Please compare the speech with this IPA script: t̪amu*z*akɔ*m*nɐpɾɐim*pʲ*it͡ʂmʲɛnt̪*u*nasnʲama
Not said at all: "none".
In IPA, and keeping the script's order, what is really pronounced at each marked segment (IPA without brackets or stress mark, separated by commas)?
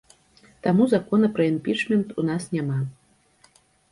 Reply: z, none, pʲ, u